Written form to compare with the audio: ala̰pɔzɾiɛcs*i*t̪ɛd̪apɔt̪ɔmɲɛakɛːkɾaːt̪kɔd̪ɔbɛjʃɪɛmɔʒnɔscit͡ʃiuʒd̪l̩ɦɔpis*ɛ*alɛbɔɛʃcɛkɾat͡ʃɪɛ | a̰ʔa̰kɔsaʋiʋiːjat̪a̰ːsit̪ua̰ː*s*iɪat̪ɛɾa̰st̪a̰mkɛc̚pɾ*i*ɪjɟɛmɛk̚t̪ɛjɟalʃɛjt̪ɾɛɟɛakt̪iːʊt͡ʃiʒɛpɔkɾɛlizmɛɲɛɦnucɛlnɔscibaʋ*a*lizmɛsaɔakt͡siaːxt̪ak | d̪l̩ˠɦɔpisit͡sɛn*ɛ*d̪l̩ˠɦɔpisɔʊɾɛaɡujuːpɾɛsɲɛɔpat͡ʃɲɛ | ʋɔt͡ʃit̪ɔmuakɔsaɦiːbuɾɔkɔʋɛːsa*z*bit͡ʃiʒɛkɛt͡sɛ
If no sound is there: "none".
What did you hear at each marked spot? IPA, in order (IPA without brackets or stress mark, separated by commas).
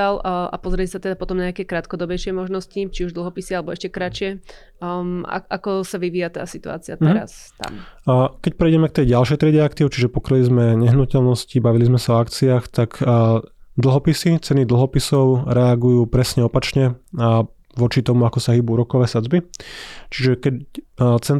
a, i, t͡s, ɛ, i, i, d͡z